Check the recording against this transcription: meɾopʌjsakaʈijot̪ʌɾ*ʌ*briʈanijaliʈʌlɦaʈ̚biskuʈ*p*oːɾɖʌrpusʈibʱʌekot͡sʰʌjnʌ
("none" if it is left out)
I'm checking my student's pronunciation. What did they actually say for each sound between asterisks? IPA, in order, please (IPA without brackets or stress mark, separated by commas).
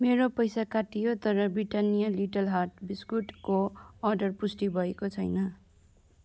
ʌ, k